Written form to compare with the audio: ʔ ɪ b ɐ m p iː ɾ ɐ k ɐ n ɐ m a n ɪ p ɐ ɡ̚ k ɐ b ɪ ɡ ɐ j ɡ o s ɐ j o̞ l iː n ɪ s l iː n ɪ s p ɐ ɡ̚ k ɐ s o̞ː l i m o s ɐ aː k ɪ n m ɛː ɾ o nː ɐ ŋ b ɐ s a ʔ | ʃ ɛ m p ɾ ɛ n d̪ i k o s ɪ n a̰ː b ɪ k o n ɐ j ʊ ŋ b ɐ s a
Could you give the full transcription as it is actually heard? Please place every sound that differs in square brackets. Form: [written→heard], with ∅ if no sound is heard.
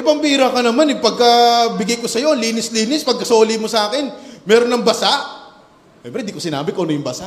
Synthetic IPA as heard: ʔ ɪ b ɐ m p iː ɾ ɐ k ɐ n ɐ m a n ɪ p ɐ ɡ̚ k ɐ b ɪ ɡ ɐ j [ɡ→k] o s ɐ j o̞ l iː n ɪ s l iː n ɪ s p ɐ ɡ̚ k ɐ s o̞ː l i m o s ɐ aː k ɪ n m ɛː ɾ o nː ɐ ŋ b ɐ s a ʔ | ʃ ɛ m p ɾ ɛ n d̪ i k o s ɪ n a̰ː b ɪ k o n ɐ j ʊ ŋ b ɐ s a